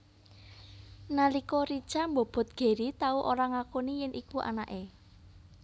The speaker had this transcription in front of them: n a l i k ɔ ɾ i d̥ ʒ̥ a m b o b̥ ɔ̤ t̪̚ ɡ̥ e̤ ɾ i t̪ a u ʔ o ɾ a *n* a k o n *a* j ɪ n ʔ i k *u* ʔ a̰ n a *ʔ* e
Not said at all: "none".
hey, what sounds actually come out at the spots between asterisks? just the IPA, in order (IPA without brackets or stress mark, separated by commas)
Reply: ŋ, i, u, ʔ